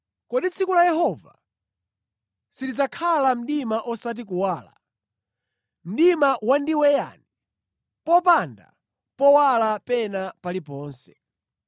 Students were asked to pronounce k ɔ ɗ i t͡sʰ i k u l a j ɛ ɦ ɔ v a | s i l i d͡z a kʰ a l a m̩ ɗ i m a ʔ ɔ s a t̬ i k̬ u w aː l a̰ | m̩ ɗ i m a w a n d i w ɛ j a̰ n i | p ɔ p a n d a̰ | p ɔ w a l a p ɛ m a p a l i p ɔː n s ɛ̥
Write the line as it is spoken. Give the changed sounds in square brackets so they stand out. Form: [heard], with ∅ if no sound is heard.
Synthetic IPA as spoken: k ɔ ɗ i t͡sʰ i k u l a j ɛ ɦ ɔ v a | s i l i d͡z a kʰ a l a m̩ ɗ i m a ʔ ɔ s a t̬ i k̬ u w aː l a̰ | m̩ ɗ i m a w a n d i w ɛ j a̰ n i | p ɔ p a n d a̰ | p ɔ w a l a p ɛ [n] a p a l i p ɔː n s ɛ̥